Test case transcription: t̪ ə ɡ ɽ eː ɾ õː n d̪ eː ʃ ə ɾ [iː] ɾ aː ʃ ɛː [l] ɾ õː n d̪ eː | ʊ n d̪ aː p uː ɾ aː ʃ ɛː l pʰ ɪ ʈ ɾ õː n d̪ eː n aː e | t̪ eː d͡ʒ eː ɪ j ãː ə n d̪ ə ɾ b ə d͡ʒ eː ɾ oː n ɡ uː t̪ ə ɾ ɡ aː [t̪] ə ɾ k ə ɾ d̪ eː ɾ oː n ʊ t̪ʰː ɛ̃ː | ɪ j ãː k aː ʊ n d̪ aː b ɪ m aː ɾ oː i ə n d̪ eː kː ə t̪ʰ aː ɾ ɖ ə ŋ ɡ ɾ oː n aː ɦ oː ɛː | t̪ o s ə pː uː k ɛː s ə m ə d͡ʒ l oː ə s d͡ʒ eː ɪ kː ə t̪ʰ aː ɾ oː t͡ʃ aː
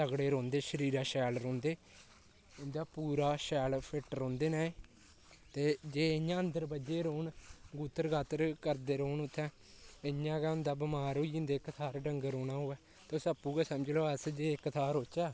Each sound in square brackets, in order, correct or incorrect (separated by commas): correct, correct, correct